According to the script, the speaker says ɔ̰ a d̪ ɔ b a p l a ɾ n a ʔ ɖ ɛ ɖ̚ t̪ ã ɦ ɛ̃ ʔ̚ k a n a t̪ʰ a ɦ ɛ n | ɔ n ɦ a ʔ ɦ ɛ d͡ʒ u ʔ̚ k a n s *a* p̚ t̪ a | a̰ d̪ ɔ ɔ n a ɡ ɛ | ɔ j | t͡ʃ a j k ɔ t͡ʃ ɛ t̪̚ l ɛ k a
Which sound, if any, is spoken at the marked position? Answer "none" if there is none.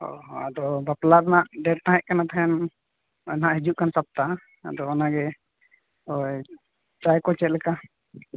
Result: a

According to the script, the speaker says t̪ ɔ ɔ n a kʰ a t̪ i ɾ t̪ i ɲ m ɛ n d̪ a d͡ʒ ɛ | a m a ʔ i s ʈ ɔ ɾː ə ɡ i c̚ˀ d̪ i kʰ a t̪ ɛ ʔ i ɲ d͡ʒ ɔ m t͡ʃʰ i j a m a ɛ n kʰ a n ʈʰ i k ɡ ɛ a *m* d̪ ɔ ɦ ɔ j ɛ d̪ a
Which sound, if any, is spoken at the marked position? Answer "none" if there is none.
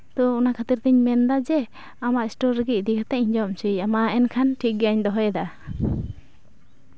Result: ɲ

